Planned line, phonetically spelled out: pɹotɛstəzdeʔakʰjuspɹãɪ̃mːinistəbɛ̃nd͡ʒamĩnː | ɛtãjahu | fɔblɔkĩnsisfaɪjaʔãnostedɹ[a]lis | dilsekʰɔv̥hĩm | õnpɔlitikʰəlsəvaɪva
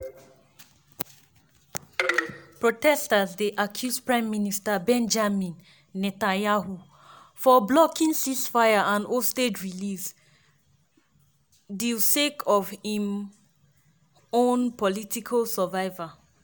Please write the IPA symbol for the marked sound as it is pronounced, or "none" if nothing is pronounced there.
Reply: i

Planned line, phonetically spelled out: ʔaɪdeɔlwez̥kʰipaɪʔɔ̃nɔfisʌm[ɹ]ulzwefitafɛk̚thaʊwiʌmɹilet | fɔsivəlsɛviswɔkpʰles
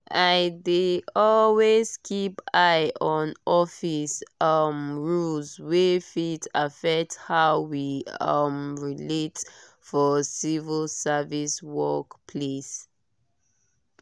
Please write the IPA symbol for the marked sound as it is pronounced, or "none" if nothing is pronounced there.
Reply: ɹ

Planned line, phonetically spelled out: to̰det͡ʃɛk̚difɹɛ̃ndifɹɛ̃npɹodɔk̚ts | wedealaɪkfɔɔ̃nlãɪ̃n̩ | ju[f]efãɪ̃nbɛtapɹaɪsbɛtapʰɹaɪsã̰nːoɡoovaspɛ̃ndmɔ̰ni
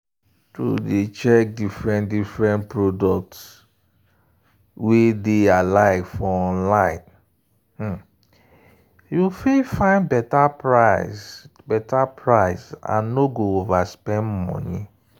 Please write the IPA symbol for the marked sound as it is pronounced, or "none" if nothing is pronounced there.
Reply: f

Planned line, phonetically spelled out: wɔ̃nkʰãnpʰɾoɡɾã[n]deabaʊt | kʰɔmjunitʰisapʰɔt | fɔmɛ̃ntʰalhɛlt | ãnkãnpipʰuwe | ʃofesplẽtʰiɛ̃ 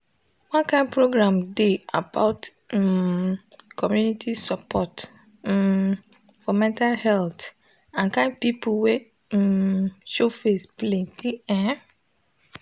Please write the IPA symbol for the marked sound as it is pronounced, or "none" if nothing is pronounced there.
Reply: m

